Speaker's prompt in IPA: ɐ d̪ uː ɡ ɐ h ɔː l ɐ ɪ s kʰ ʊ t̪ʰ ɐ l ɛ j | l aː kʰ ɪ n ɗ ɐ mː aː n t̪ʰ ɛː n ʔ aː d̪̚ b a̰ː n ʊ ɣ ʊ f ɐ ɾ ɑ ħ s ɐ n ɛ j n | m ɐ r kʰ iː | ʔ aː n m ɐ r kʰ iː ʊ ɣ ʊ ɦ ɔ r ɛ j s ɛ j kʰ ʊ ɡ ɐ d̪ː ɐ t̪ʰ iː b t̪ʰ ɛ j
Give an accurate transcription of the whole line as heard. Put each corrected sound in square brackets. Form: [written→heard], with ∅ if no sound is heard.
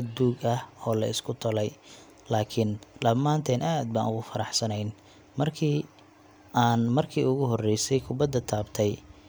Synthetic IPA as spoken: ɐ d̪ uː ɡ ɐ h ɔː l ɐ ɪ s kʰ ʊ t̪ʰ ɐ l ɛ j | l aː kʰ ɪ n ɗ ɐ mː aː n t̪ʰ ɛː n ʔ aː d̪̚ b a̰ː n ʊ ɣ ʊ f ɐ ɾ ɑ ħ s ɐ n ɛ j n | m ɐ r kʰ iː | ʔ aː n m ɐ r kʰ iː ʊ ɣ ʊ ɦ ɔ r ɛ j s ɛ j kʰ ʊ [ɡ→b] ɐ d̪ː ɐ t̪ʰ [iː→aː] b t̪ʰ ɛ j